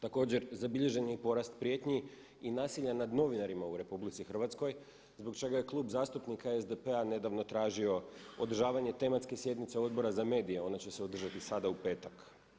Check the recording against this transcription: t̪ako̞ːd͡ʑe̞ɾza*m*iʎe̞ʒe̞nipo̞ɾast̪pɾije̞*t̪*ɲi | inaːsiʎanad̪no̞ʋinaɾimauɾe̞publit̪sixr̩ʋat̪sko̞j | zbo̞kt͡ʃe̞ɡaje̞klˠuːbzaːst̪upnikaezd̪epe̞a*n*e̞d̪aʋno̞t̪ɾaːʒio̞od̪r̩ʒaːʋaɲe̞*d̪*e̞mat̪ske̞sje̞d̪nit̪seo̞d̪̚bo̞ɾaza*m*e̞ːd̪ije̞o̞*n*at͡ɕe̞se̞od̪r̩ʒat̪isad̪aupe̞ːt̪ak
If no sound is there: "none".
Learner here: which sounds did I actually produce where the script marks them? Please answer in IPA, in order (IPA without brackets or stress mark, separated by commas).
b, t̪, n, t̪, m, n